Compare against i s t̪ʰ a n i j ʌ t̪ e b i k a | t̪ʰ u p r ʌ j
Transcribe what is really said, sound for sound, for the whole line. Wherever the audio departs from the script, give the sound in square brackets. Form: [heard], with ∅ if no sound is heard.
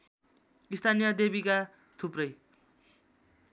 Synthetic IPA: i s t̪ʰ a n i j ʌ [d̪] e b i k a | t̪ʰ u p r ʌ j